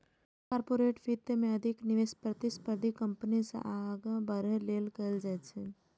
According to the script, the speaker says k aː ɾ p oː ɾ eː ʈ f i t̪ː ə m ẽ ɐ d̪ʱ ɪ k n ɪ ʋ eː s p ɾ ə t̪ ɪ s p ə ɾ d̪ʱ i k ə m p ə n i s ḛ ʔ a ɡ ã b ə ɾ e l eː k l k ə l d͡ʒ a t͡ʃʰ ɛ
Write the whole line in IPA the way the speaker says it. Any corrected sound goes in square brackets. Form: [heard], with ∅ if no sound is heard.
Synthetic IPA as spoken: k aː ɾ p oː ɾ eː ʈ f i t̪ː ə m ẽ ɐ d̪ʱ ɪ k n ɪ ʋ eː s p ɾ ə t̪ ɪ s p ə ɾ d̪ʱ i k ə m p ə n i s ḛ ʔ a ɡ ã b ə ɾ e l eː [∅] l k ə l d͡ʒ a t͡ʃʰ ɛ